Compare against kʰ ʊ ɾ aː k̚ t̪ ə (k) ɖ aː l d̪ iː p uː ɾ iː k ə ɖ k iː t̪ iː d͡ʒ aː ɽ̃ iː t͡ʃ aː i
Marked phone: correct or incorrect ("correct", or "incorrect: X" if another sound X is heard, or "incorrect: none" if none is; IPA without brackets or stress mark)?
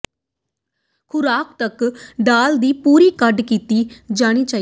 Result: correct